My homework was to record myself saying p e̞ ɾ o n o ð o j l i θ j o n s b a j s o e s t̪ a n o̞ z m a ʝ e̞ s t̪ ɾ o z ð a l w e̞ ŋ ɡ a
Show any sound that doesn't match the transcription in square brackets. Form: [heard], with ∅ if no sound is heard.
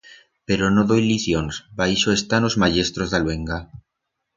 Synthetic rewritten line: p e̞ ɾ o n o ð o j l i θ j o n s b a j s o e s t̪ a n o̞ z m a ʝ e̞ s t̪ ɾ o z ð a l w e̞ ŋ ɡ a